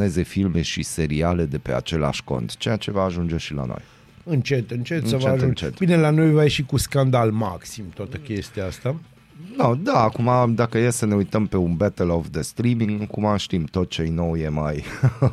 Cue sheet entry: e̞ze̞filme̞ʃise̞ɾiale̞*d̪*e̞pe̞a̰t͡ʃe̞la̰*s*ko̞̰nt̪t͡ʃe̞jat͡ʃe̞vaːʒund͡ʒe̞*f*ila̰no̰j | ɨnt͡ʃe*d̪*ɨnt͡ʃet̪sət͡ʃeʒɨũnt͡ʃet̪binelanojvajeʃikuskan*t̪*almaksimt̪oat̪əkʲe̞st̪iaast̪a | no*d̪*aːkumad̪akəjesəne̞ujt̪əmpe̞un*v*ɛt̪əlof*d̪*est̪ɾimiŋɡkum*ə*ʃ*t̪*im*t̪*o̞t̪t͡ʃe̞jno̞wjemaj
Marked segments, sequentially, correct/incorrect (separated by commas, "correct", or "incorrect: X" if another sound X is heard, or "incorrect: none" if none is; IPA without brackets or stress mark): correct, incorrect: ʃ, incorrect: ʃ, incorrect: t̪, incorrect: d̪, correct, incorrect: b, correct, incorrect: a, correct, correct